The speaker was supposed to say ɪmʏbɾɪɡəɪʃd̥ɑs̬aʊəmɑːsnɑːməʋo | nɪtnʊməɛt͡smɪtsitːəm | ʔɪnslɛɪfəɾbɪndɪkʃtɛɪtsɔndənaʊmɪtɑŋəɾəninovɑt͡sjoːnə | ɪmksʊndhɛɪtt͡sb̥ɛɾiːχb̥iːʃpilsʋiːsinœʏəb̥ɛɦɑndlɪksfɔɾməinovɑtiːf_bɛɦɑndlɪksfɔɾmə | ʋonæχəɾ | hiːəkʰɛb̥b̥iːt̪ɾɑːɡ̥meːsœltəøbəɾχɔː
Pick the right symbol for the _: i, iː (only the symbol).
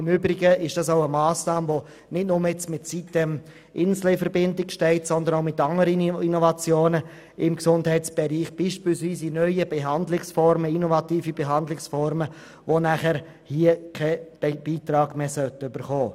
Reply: i